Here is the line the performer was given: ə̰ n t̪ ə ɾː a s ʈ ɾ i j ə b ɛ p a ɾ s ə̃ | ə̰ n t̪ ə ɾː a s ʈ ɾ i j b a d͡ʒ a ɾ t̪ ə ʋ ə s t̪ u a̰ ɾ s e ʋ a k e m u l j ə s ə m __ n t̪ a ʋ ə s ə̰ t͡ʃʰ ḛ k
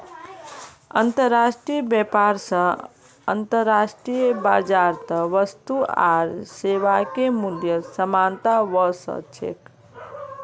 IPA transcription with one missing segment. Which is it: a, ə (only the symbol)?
a